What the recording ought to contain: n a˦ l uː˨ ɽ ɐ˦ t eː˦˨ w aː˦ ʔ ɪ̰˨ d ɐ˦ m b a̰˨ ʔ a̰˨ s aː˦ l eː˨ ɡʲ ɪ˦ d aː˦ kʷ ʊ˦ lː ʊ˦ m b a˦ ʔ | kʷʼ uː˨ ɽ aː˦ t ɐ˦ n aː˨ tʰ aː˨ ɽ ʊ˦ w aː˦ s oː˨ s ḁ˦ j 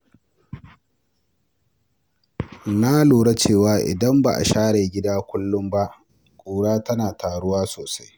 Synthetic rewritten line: n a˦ l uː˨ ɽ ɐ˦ t͡ʃ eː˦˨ w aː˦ ʔ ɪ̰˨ d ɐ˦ m b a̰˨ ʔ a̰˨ ʃ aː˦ ɽ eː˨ ɡʲ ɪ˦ d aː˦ kʷ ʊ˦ lː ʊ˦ m b a˦ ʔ | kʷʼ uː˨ ɽ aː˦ t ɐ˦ n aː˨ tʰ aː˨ ɽ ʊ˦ w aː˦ s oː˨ s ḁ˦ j

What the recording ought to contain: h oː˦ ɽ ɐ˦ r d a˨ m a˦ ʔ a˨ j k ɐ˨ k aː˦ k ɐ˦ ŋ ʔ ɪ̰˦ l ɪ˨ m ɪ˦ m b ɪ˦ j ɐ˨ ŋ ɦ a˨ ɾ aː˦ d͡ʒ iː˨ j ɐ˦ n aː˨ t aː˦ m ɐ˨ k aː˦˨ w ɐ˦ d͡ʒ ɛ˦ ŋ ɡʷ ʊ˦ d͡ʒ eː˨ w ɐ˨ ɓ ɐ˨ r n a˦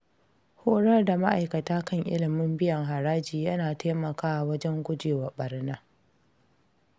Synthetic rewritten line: h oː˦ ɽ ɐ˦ r d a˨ m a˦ ʔ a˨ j k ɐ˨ t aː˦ k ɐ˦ ŋ ʔ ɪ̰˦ l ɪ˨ m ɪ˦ m b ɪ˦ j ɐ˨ ŋ ɦ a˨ ɾ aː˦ d͡ʒ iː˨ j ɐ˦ n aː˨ t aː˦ m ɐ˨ k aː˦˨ w ɐ˦ d͡ʒ ɛ˦ ŋ ɡʷ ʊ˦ d͡ʒ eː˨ w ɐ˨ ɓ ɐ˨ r n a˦

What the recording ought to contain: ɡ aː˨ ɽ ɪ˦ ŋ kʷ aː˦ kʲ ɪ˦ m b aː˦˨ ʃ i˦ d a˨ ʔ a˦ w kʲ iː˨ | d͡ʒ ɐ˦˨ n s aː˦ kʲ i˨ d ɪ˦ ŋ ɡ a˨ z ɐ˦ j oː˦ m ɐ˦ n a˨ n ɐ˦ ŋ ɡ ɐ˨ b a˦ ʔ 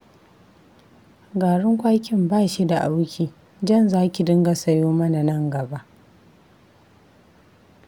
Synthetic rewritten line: ɡ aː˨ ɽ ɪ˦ ŋ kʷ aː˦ kʲ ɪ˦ m b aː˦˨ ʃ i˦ d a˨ ʔ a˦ w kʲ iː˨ | d͡ʒ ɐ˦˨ n z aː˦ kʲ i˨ d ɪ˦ ŋ ɡ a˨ s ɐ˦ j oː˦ m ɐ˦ n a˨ n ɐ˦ ŋ ɡ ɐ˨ b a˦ ʔ

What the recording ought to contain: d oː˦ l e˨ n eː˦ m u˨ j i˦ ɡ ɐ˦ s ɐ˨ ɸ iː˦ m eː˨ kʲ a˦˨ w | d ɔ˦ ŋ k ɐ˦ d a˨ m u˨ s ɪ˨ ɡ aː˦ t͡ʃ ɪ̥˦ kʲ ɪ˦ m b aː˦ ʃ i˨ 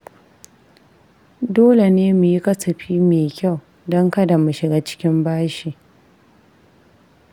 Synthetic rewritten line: d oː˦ l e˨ n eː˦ m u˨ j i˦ k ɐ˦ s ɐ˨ ɸ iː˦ m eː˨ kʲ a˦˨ w | d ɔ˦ ŋ k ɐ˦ d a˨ m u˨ ʃ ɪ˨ ɡ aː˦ t͡ʃ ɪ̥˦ kʲ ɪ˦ m b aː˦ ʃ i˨

